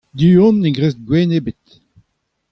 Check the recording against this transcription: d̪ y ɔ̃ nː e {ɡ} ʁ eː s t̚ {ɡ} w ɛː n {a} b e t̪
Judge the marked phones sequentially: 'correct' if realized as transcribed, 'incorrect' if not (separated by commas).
correct, correct, incorrect